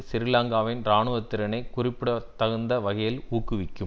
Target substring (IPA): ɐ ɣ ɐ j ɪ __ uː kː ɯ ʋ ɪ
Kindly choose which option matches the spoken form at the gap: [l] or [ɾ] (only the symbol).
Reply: l